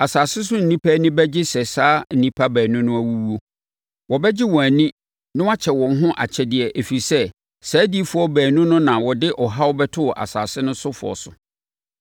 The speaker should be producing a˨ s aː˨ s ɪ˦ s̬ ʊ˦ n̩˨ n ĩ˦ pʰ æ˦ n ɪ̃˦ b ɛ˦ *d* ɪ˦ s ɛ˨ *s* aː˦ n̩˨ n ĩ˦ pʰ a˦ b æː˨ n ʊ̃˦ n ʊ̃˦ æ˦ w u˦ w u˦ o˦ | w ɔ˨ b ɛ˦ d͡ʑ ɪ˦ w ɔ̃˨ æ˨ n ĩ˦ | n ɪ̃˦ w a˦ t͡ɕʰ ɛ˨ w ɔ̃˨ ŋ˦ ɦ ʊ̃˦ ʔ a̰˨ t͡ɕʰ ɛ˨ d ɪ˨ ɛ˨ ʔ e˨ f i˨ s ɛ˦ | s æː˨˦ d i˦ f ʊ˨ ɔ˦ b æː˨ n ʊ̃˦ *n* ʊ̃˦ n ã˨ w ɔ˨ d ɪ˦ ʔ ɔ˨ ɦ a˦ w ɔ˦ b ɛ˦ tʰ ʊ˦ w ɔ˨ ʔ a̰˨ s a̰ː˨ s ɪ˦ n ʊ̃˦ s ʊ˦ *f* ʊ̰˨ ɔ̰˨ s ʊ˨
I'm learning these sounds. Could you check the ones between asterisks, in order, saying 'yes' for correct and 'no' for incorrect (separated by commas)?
no, yes, yes, yes